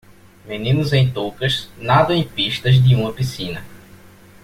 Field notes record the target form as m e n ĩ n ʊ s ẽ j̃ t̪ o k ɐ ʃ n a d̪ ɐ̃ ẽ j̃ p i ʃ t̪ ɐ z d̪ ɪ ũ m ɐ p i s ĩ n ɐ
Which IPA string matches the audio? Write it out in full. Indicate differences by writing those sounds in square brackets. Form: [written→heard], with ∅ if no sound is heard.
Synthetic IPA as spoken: m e n ĩ n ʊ [s→z] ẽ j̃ t̪ o k ɐ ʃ n a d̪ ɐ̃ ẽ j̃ p i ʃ t̪ ɐ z d̪ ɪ ũ m ɐ p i s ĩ n ɐ